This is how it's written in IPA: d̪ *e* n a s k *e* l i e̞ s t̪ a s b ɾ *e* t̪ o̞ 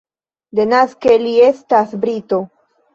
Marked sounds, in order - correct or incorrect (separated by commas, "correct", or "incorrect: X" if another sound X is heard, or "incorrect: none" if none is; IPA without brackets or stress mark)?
correct, correct, incorrect: i